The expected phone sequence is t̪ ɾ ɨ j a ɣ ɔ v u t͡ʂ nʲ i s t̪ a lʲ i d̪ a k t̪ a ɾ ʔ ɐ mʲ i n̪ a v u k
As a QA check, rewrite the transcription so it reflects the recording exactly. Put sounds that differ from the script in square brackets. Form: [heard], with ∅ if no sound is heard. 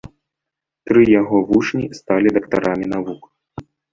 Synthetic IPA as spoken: t̪ ɾ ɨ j a ɣ ɔ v u t͡ʂ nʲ i s t̪ a lʲ i d̪ [ɐ] k t̪ a ɾ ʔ [a] mʲ i n̪ a v u k